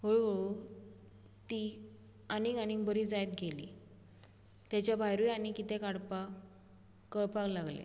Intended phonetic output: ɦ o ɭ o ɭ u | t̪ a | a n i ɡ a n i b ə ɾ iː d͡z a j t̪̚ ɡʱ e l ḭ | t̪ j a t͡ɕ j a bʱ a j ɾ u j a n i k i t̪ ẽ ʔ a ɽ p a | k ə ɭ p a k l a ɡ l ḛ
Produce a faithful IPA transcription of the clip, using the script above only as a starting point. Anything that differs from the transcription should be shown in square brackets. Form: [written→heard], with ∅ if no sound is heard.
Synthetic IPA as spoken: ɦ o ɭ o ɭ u | t̪ [a→i] | a n i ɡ a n i b ə ɾ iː d͡z a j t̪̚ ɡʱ e l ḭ | t̪ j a t͡ɕ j a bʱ a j ɾ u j a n i k i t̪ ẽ [ʔ→k] a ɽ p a | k ə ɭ p a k l a ɡ l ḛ